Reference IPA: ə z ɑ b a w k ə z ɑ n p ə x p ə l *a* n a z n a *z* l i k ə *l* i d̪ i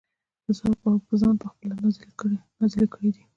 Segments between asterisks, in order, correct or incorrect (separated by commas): correct, correct, incorrect